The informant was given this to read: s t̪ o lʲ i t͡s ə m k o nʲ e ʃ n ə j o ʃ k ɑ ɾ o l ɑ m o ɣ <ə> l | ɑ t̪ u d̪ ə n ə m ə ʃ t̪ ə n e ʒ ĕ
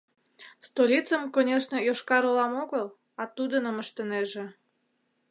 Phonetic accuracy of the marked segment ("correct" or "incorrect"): correct